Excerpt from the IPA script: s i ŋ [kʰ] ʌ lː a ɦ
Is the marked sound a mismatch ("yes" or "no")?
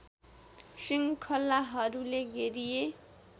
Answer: no